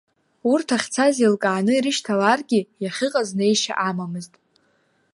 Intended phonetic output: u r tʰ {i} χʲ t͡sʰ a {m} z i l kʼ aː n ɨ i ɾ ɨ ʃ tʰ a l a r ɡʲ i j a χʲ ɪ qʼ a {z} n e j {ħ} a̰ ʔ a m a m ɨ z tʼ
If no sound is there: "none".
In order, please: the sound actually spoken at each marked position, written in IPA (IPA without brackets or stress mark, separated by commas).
a, none, z, ʃ